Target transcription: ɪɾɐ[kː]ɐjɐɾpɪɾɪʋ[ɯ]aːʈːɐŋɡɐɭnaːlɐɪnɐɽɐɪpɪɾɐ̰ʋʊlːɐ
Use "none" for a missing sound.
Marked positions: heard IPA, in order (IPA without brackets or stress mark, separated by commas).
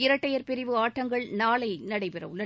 ʈː, ɯ